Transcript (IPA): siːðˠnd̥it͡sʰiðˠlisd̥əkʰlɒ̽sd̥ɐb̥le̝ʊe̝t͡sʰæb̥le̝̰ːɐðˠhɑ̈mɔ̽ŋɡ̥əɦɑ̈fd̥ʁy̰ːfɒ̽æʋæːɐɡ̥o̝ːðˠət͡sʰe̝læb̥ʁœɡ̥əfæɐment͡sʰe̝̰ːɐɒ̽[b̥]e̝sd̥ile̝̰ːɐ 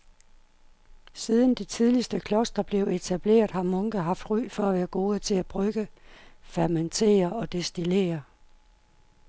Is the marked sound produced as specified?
no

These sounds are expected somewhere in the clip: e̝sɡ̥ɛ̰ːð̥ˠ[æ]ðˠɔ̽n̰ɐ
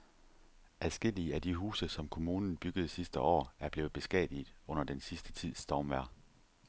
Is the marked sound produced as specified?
no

